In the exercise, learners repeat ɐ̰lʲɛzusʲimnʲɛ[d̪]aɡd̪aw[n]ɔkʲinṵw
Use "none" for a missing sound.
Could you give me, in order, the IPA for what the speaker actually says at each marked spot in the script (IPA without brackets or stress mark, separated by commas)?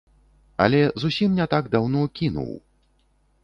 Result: t̪, n